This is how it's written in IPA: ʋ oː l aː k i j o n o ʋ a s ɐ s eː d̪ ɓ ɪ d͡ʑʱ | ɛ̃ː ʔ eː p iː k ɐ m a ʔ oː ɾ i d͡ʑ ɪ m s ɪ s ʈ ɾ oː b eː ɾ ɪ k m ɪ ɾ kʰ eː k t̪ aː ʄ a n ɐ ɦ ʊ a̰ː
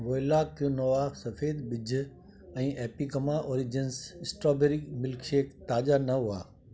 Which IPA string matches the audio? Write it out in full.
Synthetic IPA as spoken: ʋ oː l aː k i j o n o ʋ a s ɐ f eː d̪ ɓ ɪ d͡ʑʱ | ɛ̃ː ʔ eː p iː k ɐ m a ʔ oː ɾ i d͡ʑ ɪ n s ɪ s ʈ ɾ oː b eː ɾ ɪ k m ɪ l kʰ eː k t̪ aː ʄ a n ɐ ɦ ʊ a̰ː